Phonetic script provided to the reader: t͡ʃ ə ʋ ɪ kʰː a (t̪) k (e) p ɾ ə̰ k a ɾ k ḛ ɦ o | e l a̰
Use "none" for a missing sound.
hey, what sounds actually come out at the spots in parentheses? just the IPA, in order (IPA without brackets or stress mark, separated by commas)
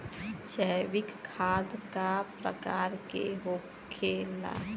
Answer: d̪, a